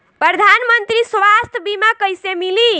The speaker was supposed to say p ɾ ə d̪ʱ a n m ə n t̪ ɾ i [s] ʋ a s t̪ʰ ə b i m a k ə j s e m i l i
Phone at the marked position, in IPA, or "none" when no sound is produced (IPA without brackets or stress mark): s